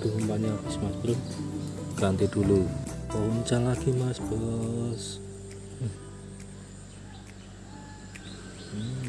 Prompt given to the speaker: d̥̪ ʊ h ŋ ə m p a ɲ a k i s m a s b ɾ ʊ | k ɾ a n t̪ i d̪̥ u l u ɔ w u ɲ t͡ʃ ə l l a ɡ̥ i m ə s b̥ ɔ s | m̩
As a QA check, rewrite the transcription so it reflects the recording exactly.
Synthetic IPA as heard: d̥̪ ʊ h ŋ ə m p a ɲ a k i s m a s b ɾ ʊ | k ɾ a n t̪ i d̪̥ u l u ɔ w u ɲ t͡ʃ a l l a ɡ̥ i m a s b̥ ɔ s | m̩